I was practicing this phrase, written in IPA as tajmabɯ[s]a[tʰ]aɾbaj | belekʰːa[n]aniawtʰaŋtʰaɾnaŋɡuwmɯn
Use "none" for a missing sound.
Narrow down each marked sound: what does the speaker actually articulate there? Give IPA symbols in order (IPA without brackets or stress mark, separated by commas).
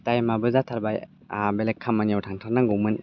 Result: z, tʰ, m